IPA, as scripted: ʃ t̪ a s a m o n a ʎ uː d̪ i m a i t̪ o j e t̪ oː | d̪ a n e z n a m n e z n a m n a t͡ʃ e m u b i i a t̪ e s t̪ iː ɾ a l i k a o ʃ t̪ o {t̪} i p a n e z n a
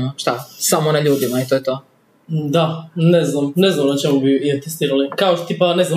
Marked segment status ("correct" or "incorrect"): correct